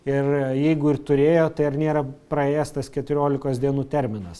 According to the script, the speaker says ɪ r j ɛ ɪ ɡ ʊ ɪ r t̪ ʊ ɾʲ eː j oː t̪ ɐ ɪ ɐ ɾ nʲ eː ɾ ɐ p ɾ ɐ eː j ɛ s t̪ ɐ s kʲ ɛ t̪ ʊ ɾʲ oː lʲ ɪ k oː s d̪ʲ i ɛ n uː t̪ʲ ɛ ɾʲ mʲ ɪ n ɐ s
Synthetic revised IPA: ɪ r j ɛ ɪ ɡ ʊ ɪ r t̪ ʊ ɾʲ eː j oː t̪ ɐ ɪ ɐ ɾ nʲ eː ɾ ɐ p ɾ ɐ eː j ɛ s t̪ ɐ s kʲ ɛ t̪ ʊ ɾʲ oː lʲ ɪ k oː s d̪ʲ i ɛ n uː t̪ʲ ɛ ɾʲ mʲ ɪ n ɐ s